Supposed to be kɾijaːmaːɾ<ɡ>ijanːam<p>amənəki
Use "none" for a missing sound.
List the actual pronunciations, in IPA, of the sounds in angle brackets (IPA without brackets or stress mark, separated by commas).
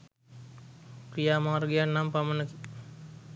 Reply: ɡ, p